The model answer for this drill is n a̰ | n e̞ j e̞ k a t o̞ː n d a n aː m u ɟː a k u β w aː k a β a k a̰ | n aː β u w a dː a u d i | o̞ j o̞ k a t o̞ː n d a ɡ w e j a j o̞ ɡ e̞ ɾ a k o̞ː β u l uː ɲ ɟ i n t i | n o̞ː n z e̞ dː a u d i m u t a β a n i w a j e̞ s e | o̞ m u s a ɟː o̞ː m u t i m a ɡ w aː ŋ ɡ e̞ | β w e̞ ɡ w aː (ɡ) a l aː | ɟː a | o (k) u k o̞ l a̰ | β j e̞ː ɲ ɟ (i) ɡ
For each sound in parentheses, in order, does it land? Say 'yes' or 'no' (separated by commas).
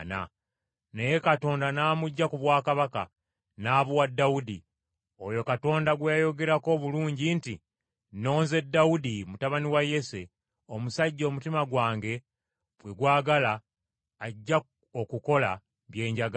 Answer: yes, yes, no